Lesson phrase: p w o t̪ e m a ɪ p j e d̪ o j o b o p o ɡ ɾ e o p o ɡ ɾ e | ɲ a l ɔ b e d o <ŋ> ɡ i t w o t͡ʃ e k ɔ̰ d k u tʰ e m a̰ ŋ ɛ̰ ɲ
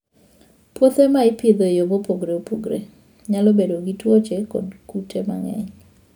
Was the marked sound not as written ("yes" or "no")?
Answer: yes